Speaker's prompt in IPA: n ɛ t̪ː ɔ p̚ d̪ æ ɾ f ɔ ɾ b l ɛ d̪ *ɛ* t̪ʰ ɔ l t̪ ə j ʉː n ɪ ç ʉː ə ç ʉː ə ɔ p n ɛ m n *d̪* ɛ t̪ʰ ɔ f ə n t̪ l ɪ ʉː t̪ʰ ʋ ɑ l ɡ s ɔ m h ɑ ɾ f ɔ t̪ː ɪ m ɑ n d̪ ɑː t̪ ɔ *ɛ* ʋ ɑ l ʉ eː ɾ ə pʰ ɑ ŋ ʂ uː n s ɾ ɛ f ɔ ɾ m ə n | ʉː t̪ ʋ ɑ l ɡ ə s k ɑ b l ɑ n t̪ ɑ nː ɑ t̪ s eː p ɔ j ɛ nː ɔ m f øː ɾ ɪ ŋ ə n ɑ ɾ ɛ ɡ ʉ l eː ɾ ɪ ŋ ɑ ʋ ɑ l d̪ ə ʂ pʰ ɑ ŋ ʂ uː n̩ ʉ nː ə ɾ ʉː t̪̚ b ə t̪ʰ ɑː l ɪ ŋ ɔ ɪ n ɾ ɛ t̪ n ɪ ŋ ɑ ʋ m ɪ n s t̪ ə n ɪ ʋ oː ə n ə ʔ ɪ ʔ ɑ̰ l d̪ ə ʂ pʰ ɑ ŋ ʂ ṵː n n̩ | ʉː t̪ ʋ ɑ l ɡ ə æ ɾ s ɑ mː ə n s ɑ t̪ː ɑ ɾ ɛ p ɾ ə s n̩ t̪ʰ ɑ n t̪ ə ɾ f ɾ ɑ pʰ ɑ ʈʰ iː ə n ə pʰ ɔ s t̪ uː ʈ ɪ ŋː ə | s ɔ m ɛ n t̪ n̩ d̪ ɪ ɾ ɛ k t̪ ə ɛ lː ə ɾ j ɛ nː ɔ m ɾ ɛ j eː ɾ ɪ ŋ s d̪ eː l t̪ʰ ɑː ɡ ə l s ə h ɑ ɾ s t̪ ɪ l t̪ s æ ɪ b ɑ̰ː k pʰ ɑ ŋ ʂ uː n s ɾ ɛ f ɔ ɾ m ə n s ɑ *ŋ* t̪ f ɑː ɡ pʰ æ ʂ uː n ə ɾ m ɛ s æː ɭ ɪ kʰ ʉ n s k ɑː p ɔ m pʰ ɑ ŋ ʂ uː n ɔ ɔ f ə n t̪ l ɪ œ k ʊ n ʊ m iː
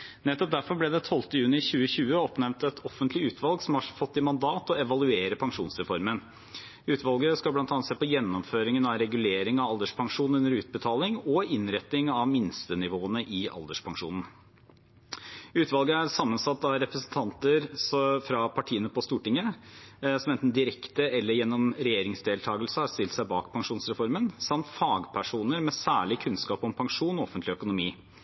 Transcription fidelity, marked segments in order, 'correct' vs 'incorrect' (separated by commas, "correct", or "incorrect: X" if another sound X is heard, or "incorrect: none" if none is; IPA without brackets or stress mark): correct, incorrect: t̪, correct, incorrect: m